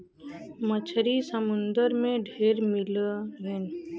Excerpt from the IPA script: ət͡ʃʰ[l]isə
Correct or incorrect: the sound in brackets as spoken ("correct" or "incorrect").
incorrect